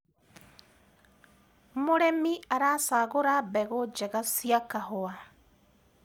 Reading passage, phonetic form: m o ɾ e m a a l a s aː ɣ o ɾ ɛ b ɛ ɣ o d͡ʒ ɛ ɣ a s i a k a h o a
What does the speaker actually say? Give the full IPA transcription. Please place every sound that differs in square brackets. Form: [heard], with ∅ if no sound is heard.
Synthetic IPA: m o ɾ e m [i] a [ɾ] a s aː ɣ o ɾ [a] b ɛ ɣ o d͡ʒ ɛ ɣ a s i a k a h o a